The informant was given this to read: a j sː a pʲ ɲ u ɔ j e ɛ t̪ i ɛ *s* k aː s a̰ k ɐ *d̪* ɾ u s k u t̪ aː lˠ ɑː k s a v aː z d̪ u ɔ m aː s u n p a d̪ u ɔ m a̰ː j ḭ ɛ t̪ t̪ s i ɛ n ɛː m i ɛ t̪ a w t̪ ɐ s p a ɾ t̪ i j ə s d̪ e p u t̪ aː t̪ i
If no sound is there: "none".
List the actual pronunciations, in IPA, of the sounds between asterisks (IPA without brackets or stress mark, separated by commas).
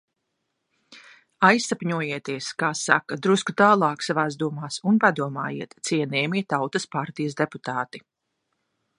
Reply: s, d̪